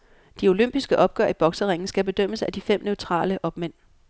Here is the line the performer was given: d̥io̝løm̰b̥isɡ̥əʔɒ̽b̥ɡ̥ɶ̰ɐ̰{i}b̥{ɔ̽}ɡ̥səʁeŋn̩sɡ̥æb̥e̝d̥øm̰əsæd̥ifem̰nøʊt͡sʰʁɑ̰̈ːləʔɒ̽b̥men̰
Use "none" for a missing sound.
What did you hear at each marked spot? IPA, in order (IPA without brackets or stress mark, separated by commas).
i, ɒ̽